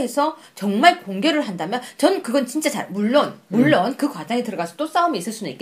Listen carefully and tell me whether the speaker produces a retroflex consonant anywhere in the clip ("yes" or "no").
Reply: yes